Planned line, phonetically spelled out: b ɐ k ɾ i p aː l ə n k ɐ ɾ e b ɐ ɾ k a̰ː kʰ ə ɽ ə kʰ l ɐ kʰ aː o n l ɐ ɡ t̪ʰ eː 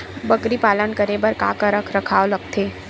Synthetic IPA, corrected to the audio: b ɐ k ɾ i p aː l ə n k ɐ ɾ e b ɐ ɾ k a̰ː k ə ɾ ə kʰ ɾ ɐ kʰ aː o l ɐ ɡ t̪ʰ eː

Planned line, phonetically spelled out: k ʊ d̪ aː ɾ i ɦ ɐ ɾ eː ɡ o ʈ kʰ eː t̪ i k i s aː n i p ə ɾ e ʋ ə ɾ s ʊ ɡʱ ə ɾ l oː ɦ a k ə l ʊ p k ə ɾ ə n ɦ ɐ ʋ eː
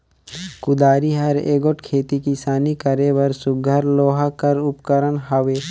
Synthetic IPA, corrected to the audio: k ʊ d̪ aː ɾ i ɦ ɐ ɾ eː ɡ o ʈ kʰ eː t̪ i k i s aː n i k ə ɾ e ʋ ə ɾ s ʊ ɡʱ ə ɾ l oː ɦ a k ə ɾ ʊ p k ə ɾ ə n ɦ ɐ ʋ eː

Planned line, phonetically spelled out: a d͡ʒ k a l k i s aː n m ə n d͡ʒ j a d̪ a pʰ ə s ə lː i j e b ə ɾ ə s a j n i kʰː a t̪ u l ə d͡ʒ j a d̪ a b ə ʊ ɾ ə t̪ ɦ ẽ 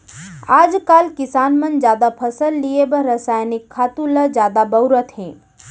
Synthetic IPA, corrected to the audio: a d͡ʒ k a l k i s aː n m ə n d͡ʒ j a d̪ a pʰ ə s ə lː i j e b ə ɾ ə s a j n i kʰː a t̪ u l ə d͡ʒ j a d̪ a b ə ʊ ɾ ə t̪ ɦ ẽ

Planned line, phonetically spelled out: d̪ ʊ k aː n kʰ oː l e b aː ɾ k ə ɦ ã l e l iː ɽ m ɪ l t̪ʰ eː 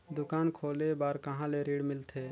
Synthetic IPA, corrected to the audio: d̪ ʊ k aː n kʰ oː l e b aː ɾ k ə ɦ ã l e ɾ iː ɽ m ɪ l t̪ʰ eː

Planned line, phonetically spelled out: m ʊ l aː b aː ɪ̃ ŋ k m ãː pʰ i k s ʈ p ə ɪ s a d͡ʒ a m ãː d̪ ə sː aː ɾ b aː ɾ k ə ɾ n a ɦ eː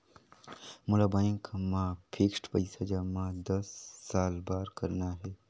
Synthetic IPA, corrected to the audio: m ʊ l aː b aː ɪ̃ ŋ k m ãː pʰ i k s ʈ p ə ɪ s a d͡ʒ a m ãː d̪ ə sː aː l b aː ɾ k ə ɾ n a ɦ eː

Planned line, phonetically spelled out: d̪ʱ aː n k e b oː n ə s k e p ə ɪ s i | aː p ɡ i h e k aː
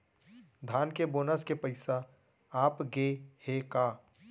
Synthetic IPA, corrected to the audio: d̪ʱ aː n k e b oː n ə s k e p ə ɪ s a | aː p ɡ e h e k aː

